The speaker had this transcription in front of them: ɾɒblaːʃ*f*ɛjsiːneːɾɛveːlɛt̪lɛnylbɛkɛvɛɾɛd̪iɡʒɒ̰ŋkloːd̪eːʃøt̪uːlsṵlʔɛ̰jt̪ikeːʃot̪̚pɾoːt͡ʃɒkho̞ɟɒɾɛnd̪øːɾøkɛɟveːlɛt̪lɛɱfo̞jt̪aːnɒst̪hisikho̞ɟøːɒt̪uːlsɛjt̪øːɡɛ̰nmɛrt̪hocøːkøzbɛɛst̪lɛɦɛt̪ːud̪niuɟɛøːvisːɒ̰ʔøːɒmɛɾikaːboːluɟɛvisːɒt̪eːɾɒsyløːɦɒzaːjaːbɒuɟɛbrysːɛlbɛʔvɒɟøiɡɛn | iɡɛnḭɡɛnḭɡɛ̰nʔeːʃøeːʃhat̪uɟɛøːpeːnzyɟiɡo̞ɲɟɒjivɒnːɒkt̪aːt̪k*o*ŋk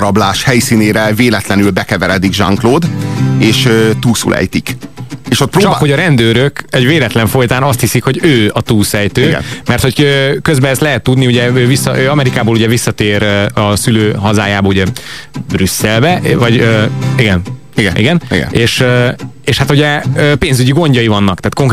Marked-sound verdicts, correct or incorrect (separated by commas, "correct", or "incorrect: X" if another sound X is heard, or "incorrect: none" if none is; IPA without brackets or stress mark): incorrect: h, correct